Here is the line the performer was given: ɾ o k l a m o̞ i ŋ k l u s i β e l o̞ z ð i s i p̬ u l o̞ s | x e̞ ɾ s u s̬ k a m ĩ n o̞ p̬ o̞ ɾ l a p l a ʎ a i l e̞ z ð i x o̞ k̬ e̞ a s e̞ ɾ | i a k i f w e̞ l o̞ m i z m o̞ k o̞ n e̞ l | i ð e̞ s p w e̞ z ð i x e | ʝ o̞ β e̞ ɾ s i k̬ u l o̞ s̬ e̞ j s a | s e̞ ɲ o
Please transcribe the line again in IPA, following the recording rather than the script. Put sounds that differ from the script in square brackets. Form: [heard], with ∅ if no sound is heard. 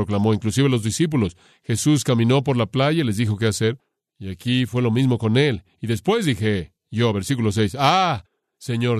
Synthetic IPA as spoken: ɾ o k l a m o̞ i ŋ k l u s i β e l o̞ z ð i s i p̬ u l o̞ s | x e̞ [∅] s u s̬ k a m ĩ n o̞ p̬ o̞ ɾ l a p l a [ʝ] a i l e̞ z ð i x o̞ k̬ e̞ a s e̞ ɾ | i a k i f w e̞ l o̞ m i z m o̞ k o̞ n e̞ l | i ð e̞ s p w e̞ z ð i x e | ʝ o̞ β e̞ ɾ s i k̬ u l o̞ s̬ e̞ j s a | s e̞ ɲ o